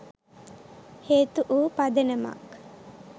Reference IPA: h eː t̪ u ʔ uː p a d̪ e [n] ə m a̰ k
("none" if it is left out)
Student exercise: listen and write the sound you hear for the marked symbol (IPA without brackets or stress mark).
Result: n